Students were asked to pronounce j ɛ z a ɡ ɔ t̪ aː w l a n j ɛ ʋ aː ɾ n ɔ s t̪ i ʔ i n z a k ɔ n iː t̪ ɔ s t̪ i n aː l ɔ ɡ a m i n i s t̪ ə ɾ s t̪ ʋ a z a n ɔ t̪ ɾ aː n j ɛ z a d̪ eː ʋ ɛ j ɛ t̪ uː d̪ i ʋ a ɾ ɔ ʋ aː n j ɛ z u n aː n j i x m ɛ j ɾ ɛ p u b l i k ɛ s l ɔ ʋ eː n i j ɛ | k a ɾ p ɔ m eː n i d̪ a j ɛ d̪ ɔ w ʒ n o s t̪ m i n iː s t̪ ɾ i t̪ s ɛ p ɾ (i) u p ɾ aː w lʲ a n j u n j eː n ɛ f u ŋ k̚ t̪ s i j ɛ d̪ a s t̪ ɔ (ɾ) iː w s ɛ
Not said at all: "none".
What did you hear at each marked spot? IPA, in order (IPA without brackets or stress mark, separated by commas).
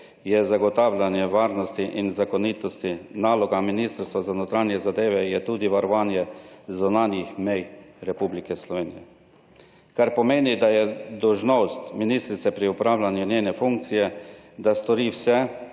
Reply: i, ɾ